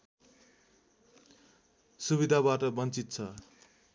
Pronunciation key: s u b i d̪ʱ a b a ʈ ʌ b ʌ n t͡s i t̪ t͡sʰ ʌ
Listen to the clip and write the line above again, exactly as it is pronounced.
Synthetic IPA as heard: s u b i d̪ʱ a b a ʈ ʌ b ʌ n t͡s i t̪ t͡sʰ ʌ

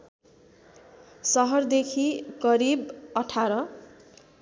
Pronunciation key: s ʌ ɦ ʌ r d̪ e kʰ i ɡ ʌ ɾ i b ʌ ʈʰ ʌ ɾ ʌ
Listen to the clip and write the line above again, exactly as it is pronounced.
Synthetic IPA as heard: s ʌ ɦ ʌ r d̪ e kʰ i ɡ ʌ ɾ i b ʌ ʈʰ a ɾ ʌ

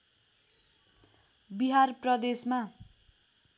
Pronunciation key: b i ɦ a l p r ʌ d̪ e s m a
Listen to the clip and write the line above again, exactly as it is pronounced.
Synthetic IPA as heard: b i ɦ a r p r ʌ d̪ e s m a

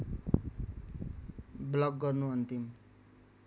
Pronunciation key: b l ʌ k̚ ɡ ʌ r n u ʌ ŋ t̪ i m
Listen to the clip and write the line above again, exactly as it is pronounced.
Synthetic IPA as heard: b l ʌ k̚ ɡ ʌ r n u ʌ n t̪ i m

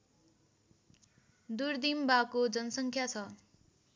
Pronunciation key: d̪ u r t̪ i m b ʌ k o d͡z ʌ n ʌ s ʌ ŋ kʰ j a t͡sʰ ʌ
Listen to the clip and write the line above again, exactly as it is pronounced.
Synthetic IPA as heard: d̪ u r d̪ i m b a k o d͡z ʌ n ʌ s ʌ ŋ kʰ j a t͡sʰ ʌ

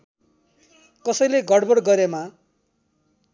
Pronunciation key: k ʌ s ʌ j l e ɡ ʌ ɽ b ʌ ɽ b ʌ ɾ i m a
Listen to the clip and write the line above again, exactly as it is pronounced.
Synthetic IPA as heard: k ʌ s ʌ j l e ɡ ʌ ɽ b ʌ ɽ ɡ ʌ ɾ e m a

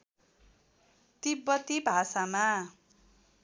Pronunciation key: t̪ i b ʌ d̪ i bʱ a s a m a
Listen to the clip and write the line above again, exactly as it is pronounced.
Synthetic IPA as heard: t̪ i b ʌ t̪ i bʱ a s a m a

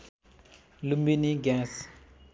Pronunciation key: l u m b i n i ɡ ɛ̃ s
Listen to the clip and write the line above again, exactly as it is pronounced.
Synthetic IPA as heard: l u m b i n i ɡ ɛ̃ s

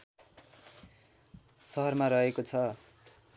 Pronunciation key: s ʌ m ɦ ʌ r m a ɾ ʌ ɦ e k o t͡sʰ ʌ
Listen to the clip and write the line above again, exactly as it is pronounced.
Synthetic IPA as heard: s ʌ ɦ ʌ r m a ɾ ʌ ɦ e k o t͡sʰ ʌ

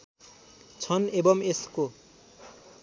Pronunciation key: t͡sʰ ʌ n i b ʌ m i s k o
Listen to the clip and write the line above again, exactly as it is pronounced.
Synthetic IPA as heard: t͡sʰ ʌ n e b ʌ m e s k o

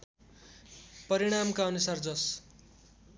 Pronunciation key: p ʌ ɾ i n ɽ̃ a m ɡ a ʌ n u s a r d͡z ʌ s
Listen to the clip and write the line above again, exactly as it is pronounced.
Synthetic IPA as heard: p ʌ ɾ i ɽ̃ a m k a ʌ n u s a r d͡z ʌ s

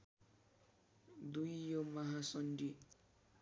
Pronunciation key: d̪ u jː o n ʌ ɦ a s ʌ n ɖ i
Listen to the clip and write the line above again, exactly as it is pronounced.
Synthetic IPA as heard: d̪ u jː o m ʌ ɦ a s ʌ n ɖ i

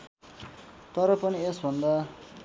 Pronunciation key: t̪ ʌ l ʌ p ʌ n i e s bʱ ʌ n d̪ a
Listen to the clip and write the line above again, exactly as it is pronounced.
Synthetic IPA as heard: t̪ ʌ ɾ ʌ p ʌ n i e s bʱ ʌ n d̪ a

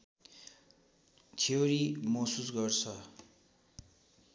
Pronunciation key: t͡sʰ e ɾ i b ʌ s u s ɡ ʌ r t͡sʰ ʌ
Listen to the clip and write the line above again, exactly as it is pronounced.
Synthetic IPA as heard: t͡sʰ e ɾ i m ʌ s u s ɡ ʌ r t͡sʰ ʌ

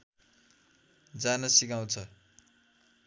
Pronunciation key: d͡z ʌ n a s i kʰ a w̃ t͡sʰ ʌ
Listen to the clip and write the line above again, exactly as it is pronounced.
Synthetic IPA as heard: d͡z a n ʌ s i k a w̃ t͡sʰ ʌ

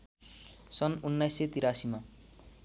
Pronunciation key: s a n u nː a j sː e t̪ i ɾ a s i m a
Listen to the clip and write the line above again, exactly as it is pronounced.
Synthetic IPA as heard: s ʌ n u nː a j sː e t̪ i ɾ a s i m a

